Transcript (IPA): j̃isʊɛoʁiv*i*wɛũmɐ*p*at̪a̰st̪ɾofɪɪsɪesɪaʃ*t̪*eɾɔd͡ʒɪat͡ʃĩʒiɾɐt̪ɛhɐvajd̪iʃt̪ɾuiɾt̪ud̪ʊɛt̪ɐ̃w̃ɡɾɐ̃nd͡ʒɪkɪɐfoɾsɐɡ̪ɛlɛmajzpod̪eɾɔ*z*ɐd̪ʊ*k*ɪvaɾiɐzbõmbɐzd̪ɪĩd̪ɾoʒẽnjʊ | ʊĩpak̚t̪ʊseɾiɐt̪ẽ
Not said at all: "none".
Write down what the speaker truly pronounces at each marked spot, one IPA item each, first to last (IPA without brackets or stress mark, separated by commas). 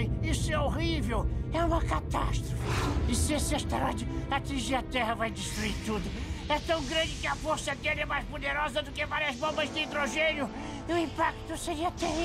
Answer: e, k, t̪, z, k